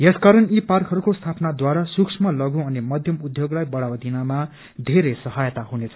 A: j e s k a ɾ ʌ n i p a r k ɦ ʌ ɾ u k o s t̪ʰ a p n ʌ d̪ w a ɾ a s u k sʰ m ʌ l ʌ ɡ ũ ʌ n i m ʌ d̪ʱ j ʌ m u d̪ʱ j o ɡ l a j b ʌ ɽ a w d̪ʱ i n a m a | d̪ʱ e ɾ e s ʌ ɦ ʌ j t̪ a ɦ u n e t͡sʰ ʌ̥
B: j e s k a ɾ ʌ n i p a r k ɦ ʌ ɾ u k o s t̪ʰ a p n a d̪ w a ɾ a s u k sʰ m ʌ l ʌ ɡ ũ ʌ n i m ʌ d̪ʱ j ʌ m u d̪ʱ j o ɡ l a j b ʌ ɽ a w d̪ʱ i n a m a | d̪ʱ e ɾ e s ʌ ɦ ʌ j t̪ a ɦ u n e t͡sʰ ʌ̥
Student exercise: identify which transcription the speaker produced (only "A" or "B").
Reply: B